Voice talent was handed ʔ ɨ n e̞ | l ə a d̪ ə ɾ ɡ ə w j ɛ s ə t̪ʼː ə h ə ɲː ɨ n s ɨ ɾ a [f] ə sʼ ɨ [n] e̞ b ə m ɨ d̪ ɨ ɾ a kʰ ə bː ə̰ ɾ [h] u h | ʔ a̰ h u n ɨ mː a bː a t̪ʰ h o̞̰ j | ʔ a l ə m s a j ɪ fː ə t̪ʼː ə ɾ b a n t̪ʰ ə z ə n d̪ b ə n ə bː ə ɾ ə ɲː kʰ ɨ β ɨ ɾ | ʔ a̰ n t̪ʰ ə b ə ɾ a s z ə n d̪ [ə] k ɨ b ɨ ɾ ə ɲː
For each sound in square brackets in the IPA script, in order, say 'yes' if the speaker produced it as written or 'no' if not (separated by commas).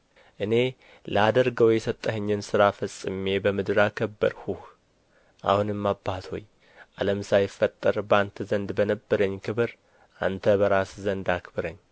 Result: yes, no, yes, no